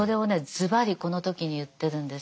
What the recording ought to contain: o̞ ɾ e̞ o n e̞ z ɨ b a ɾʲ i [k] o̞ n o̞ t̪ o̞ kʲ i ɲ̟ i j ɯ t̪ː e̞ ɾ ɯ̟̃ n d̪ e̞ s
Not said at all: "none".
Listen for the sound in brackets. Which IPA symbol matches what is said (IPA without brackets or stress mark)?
k